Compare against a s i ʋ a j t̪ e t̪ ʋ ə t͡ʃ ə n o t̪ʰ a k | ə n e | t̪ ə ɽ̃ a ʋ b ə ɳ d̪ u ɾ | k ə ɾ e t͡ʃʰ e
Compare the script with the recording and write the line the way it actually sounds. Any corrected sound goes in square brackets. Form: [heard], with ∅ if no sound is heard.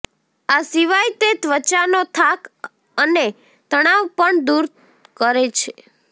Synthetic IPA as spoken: a s i ʋ a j t̪ e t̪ ʋ ə t͡ʃ [a] n o t̪ʰ a k | ə n e | t̪ ə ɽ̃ a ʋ [p] ə ɳ d̪ u ɾ | k ə ɾ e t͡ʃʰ e